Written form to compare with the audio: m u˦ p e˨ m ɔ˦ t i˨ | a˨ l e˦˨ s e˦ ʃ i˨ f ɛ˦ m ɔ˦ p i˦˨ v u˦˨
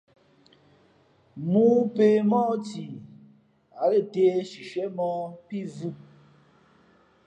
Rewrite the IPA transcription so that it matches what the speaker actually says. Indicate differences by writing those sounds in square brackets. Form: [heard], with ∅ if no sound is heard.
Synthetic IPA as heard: m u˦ p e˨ m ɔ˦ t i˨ | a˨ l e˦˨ [t] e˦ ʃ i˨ [ʃ] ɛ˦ m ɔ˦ p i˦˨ v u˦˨

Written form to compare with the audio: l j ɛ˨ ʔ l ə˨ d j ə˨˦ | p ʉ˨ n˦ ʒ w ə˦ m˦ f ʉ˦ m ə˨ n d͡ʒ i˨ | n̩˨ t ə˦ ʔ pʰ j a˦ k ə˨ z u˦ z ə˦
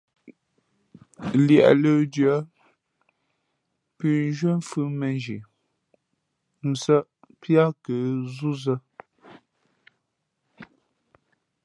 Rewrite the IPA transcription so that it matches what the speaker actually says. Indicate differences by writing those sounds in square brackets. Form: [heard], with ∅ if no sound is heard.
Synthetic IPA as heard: l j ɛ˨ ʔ l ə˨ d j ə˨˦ | p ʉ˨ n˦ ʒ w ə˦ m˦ f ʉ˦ m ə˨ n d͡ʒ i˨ | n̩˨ [s] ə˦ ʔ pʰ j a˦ k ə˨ z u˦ z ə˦

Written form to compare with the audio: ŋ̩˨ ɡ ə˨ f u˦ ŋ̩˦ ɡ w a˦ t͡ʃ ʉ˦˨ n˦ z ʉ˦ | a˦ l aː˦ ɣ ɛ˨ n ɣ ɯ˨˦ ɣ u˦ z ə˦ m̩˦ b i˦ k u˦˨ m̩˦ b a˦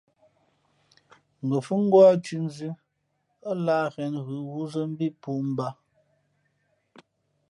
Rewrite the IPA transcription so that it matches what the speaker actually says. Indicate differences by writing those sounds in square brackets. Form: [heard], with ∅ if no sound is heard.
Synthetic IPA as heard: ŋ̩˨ ɡ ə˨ f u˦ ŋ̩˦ ɡ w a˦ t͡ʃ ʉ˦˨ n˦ z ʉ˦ | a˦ l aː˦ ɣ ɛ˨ n ɣ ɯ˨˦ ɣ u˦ z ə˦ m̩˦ b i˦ [p] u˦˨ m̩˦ b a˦

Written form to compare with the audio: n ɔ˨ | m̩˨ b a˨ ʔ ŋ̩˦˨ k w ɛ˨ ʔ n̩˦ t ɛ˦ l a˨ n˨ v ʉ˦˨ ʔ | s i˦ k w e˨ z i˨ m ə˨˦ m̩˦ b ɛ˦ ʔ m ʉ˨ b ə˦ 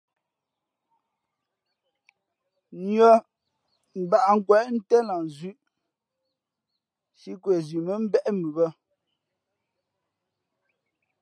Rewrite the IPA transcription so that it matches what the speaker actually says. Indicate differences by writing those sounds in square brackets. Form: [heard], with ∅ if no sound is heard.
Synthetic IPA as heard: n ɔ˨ | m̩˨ b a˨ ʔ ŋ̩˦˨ k w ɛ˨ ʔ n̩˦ t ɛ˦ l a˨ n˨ [z] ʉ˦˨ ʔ | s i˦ k w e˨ z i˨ m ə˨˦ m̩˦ b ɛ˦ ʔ m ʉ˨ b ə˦

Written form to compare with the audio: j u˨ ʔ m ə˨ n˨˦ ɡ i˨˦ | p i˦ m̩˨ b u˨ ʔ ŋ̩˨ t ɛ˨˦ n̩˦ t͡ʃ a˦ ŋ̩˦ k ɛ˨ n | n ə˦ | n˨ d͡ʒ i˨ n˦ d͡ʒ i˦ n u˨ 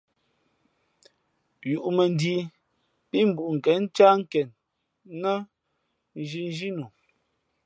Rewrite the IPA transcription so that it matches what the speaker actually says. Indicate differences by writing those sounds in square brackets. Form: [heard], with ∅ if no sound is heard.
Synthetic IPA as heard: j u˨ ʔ m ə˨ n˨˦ [d] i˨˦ | p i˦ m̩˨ b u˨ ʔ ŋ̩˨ [k] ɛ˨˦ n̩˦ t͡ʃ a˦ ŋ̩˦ k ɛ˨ n | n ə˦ | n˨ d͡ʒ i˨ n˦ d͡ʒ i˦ n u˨

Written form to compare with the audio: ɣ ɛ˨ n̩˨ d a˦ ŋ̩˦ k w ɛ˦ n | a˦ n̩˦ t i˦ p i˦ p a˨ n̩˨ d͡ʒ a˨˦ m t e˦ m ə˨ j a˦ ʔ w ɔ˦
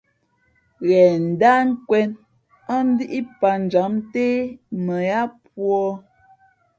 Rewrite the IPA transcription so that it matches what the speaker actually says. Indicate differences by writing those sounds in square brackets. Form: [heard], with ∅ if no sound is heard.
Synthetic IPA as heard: ɣ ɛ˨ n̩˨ d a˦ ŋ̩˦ k w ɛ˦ n | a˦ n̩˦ [d] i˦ [ʔ] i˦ p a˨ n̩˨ d͡ʒ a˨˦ m t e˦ m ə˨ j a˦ [p] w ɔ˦

